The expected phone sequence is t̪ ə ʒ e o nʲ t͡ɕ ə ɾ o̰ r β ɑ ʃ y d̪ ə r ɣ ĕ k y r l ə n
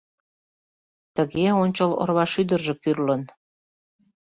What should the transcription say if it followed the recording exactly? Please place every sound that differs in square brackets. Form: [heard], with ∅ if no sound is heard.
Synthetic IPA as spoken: t̪ ə [ɣ] e o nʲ t͡ɕ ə [l] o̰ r β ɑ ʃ y d̪ ə r [ʒ] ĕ k y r l ə n